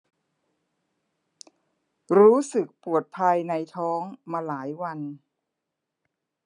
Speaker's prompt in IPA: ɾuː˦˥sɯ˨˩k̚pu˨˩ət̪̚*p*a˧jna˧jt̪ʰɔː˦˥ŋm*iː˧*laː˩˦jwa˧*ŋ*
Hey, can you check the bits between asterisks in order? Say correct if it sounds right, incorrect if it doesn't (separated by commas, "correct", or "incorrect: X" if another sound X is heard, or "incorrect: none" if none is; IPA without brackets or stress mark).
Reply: incorrect: pʰ, incorrect: aː˧, incorrect: n